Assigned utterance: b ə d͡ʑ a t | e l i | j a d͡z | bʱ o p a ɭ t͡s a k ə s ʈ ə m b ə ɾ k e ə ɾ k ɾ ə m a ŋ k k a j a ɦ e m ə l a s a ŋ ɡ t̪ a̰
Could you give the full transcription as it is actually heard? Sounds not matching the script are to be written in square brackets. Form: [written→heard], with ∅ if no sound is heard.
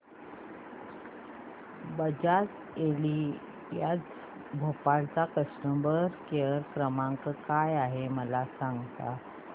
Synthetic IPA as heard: b ə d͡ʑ a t | e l i | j a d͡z | bʱ o p a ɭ t͡s a k ə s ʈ ə m b ə ɾ k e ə ɾ k ɾ ə m a ŋ k k a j a ɦ e m ə l a s a ŋ ɡ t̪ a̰